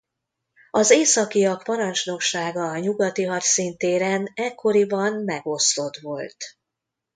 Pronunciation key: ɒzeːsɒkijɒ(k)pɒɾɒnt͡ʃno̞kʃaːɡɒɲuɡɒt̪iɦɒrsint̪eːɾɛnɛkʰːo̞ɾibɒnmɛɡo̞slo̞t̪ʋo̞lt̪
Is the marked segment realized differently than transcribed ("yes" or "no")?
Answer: no